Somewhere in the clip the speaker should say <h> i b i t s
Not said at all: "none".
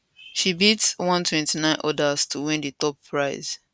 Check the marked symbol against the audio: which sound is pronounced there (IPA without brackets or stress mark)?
ʃ